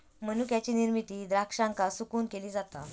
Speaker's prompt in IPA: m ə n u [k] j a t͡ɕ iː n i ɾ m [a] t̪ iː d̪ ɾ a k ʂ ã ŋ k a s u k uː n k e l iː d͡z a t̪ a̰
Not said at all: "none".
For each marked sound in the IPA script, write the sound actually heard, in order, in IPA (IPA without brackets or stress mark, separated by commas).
k, i